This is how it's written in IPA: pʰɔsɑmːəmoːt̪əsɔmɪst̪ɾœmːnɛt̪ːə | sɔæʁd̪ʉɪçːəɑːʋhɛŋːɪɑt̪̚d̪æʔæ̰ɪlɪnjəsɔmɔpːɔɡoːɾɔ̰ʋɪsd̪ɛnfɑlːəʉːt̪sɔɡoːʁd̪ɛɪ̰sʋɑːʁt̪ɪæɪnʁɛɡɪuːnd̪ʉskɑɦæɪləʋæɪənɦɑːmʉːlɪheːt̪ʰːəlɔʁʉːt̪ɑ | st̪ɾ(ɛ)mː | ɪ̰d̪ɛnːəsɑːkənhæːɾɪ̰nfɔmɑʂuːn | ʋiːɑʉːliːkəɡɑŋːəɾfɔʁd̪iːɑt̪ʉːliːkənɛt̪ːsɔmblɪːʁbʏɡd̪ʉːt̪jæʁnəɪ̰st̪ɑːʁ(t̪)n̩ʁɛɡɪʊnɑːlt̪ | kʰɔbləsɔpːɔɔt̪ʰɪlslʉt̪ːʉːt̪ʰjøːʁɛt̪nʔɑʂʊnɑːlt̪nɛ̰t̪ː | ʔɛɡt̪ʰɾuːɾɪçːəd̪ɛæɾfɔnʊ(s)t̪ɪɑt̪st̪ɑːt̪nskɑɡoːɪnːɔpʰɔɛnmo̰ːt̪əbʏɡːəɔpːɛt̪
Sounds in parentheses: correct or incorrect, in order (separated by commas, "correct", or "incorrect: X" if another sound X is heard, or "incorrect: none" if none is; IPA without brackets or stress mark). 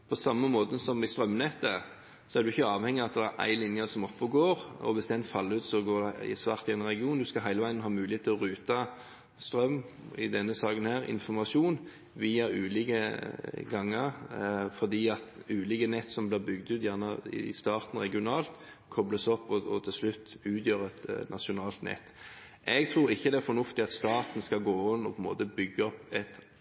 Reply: incorrect: œ, correct, incorrect: f